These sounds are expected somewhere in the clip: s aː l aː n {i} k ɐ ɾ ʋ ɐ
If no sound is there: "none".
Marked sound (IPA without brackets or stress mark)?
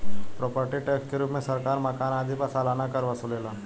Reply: a